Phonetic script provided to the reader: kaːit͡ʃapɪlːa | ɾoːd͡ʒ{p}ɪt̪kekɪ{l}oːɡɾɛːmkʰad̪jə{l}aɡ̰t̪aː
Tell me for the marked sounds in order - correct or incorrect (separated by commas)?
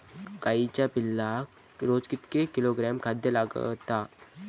incorrect, correct, correct